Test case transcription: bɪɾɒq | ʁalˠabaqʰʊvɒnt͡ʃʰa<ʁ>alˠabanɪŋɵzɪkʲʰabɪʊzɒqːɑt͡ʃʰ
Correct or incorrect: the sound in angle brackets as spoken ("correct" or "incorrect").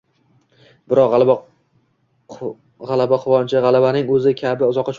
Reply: correct